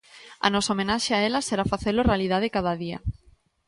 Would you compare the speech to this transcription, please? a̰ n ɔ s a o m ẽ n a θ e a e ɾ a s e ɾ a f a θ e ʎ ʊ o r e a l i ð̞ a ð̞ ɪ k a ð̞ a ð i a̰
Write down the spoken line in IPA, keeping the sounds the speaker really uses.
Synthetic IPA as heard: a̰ n ɔ s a o m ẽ n a ʃ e a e l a s e ɾ a f a θ e l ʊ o r e a l i ð̞ a ð̞ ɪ k a ð̞ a ð i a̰